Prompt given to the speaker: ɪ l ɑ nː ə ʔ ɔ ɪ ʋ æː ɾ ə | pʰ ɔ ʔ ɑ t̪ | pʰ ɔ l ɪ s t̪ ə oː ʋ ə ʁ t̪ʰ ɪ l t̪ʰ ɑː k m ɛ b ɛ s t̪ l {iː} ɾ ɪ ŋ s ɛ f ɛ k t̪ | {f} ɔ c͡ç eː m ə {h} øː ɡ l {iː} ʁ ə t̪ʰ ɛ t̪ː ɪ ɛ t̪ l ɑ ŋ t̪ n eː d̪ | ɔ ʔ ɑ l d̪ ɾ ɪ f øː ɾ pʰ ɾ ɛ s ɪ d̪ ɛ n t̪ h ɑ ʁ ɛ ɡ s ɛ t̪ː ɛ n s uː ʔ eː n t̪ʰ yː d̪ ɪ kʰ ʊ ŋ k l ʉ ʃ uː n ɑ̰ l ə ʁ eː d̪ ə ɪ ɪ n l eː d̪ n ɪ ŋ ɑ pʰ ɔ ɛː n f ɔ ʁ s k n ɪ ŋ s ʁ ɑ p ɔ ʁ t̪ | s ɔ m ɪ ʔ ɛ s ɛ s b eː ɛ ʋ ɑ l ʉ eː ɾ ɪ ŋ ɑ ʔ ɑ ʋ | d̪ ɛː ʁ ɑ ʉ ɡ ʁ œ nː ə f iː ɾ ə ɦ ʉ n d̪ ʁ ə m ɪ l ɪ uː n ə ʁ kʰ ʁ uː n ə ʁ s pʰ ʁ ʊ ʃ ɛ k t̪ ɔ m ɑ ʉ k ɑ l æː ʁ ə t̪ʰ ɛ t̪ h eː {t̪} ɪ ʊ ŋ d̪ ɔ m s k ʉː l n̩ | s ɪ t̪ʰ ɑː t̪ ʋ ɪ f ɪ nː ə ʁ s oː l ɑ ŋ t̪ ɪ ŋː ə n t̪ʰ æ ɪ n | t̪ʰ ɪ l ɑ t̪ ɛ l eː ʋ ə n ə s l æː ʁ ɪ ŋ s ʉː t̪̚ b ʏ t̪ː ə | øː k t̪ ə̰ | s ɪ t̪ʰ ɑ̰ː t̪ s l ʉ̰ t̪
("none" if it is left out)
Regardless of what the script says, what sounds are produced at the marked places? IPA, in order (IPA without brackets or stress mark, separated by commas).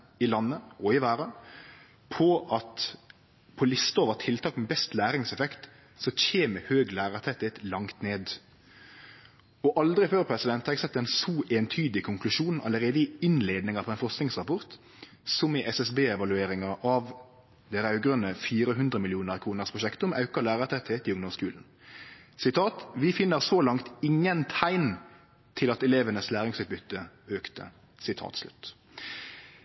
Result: æː, s, h, æː, t̪